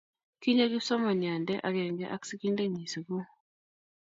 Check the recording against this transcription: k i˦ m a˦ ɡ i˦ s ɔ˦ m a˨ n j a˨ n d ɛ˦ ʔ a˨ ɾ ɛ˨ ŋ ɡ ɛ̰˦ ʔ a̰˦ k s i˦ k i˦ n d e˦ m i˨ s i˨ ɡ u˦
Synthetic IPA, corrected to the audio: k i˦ ɲ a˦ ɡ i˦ s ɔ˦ m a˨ n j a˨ n d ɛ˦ ʔ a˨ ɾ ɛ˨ ŋ ɡ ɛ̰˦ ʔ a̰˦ k s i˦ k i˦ n d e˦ ɲ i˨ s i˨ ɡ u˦